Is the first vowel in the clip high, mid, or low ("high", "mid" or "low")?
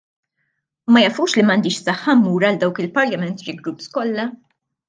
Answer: low